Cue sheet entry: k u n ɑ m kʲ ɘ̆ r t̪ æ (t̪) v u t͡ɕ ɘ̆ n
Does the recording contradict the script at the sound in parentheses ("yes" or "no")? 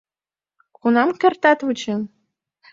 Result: no